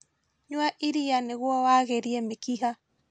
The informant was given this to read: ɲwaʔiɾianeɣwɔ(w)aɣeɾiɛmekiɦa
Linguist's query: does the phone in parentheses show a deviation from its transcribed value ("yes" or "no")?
no